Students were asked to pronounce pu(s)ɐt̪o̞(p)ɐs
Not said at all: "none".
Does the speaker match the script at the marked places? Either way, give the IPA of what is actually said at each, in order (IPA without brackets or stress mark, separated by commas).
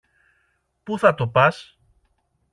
θ, p